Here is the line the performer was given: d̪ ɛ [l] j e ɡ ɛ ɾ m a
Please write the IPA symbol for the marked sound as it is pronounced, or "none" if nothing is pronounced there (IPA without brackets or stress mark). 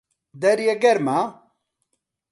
ɾ